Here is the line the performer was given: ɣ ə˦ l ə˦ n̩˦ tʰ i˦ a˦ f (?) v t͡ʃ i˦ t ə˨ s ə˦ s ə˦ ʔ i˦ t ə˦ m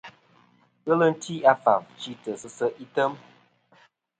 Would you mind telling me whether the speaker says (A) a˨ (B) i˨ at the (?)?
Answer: A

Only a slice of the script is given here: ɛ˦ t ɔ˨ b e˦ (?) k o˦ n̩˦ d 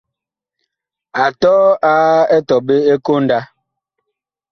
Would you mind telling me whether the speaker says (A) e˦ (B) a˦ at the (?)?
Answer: A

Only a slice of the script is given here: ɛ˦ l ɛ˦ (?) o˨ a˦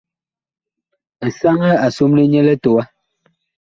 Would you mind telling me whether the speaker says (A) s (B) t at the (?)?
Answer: B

